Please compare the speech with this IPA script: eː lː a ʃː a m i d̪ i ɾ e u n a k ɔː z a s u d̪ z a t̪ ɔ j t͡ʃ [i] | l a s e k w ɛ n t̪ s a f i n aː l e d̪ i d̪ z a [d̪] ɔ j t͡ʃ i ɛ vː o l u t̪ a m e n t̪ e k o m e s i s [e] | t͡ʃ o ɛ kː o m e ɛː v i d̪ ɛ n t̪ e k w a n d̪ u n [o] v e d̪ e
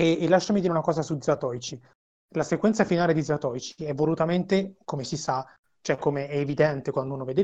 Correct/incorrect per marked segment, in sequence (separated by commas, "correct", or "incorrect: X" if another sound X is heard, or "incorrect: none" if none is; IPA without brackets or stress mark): correct, incorrect: t̪, incorrect: a, correct